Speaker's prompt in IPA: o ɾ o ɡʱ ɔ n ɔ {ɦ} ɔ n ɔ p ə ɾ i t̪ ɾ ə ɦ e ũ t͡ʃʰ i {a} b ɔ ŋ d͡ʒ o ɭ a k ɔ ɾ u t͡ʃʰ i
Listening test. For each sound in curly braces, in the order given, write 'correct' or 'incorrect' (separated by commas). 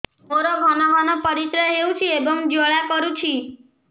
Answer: correct, incorrect